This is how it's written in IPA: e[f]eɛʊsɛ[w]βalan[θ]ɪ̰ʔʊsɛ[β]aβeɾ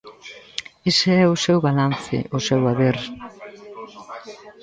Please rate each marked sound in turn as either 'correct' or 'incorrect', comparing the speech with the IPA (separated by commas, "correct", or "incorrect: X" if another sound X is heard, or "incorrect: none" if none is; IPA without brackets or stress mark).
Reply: incorrect: s, correct, correct, incorrect: w